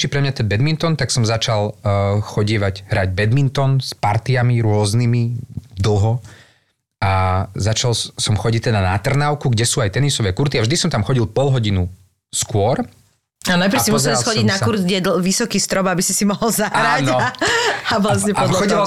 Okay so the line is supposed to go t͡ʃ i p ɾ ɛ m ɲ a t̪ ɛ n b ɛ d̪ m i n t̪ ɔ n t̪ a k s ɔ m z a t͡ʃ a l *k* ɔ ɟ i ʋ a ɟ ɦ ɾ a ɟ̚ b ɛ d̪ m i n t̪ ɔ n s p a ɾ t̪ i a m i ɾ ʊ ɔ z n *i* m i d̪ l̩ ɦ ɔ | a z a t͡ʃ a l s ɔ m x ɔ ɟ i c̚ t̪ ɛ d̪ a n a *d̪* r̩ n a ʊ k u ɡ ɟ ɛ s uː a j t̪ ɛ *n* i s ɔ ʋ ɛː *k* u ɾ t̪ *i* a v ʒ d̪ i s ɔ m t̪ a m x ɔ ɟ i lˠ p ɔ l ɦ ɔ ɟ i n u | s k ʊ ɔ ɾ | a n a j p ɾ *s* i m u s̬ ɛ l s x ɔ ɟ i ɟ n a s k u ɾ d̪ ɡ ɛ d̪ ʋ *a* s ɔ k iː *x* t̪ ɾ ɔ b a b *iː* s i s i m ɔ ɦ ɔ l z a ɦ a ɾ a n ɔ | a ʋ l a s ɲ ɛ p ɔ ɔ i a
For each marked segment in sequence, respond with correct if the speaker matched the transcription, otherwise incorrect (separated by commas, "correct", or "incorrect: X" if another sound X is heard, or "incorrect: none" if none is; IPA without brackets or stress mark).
incorrect: x, correct, incorrect: t̪, correct, correct, correct, correct, incorrect: i, incorrect: s, incorrect: i